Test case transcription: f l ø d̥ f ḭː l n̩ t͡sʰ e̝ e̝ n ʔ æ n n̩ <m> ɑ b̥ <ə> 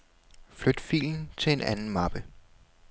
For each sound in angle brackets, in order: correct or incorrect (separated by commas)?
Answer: correct, correct